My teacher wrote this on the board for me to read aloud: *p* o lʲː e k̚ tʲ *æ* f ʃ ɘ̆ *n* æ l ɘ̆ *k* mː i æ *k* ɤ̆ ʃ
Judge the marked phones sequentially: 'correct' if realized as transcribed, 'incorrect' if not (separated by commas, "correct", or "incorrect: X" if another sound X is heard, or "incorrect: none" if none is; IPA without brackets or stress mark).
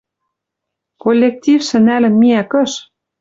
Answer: incorrect: k, incorrect: i, correct, incorrect: none, correct